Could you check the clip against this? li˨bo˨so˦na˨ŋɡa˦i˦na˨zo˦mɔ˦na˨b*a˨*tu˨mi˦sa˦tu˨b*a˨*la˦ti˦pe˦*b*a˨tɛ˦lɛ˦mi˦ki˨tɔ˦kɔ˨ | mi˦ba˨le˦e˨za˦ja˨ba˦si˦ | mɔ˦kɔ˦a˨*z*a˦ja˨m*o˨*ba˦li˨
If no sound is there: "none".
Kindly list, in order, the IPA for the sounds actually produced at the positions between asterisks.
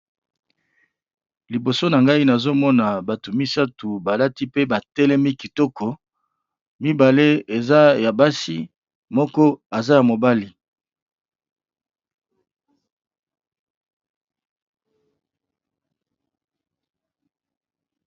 a˨, a˨, b, z, o˨

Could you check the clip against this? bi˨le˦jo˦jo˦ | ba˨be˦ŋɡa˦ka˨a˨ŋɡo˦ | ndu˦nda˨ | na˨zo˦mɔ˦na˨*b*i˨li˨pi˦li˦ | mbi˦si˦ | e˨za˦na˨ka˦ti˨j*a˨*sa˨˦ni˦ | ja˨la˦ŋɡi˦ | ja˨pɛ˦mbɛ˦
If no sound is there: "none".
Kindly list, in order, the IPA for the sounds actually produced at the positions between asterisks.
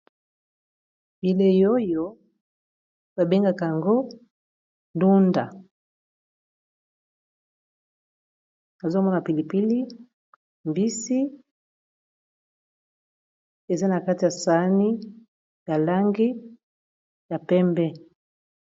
p, a˨

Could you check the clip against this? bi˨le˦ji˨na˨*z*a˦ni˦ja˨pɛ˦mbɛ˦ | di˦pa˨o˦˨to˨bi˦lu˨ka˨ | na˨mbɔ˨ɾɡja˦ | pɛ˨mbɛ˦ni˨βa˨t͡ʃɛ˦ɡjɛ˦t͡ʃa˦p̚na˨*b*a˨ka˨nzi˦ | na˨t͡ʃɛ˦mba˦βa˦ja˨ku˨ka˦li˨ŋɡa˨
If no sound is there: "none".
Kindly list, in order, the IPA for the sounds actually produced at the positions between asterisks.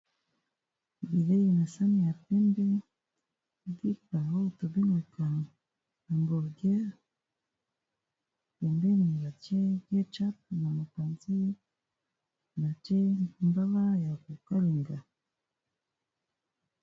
s, m

